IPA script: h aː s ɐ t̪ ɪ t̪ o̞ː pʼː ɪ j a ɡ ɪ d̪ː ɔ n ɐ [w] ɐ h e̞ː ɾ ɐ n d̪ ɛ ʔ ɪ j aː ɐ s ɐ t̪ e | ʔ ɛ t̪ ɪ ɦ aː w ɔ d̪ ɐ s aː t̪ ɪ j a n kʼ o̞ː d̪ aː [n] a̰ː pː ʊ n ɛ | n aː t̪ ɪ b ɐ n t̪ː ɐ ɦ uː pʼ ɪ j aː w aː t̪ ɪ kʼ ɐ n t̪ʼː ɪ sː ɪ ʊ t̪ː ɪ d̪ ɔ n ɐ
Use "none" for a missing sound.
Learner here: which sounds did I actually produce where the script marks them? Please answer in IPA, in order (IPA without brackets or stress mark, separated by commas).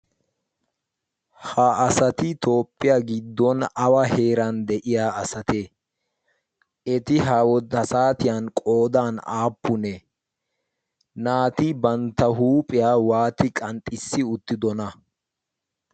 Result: w, n